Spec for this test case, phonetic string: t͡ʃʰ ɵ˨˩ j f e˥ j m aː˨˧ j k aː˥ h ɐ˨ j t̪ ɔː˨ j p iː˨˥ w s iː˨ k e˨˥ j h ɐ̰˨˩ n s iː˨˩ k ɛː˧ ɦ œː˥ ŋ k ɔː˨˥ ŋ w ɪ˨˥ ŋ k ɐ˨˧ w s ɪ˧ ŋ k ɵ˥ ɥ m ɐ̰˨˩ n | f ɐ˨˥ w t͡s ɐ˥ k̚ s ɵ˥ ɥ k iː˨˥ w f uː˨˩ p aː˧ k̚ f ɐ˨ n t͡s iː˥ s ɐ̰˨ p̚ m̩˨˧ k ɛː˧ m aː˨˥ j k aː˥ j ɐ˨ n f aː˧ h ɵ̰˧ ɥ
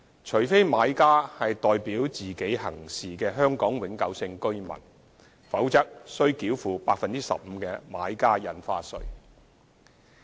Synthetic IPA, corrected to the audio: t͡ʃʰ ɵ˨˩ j f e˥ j m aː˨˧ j k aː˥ h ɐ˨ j t̪ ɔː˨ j p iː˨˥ w t͡s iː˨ k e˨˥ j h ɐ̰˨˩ ŋ s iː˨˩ k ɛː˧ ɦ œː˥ ŋ k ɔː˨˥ ŋ w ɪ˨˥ ŋ k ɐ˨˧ w s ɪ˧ ŋ k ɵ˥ ɥ m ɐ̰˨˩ n | f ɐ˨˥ w t͡s ɐ˥ k̚ s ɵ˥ ɥ k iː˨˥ w f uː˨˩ p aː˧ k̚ f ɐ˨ n t͡s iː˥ s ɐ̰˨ p̚ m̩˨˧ k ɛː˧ m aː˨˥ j k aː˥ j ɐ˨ n f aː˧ s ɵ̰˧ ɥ